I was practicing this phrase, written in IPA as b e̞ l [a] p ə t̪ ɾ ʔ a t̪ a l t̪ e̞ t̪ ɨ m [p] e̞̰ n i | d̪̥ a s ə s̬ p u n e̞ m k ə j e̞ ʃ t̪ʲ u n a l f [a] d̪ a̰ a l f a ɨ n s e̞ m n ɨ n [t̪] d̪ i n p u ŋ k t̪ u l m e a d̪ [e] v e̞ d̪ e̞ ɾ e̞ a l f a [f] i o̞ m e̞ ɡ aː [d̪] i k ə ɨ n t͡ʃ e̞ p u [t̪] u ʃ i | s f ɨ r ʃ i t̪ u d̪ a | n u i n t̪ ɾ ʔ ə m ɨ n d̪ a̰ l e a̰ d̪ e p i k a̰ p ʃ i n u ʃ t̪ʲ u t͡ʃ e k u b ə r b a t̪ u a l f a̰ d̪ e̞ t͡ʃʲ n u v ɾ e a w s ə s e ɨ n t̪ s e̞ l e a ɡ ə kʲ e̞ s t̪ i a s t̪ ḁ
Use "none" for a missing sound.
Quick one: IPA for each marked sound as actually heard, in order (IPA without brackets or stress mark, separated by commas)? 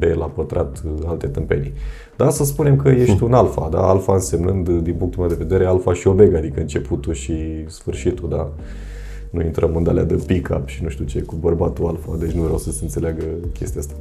a, p, a, d̪, e, ʃ, d̪, t̪